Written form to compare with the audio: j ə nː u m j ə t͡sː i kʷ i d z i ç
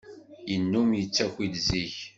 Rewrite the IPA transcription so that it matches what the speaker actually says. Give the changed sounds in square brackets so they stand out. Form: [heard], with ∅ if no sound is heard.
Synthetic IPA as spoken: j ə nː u m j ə t͡sː [æ] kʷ i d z i ç

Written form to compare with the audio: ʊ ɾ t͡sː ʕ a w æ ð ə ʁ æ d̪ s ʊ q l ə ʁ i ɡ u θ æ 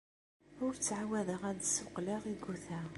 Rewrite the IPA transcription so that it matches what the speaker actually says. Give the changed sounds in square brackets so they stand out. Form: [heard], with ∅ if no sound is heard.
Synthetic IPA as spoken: ʊ ɾ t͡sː ʕ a w æ ð ə ʁ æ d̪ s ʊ q l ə ʁ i ɡ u θ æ

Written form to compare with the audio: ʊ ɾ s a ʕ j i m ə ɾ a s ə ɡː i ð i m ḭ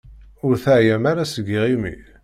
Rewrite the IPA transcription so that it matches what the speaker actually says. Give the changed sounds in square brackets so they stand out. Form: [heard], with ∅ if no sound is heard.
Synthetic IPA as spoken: ʊ ɾ [θ] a ʕ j [æ] m [a] ɾ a s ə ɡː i [ʁ] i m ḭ

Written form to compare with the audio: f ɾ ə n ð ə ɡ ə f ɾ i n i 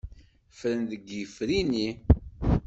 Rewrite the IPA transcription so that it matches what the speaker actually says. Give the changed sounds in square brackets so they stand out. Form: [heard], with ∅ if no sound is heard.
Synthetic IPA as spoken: f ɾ ə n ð ə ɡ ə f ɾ i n i

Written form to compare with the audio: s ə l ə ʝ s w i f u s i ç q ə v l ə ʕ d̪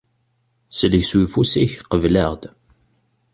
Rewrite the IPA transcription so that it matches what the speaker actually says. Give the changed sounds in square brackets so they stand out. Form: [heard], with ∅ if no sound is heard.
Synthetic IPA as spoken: s ə l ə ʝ s w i f u s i ç q ə v l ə [ʁ] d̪

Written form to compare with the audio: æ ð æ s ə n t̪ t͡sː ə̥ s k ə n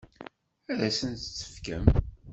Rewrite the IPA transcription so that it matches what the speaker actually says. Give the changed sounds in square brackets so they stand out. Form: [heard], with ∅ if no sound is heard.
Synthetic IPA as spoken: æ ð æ s ə n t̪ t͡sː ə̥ [f] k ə [m]

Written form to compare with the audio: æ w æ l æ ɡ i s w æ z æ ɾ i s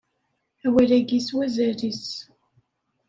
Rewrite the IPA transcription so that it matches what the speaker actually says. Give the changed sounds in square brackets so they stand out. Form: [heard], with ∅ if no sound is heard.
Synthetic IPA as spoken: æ w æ l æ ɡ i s w æ z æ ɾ i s

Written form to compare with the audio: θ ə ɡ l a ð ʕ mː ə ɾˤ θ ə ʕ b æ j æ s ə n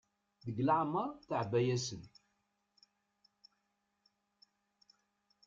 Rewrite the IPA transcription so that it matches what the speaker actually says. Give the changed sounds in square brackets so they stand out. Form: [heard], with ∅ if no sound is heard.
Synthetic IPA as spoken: [ð] ə ɡ l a [∅] ʕ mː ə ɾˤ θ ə ʕ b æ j æ s ə n

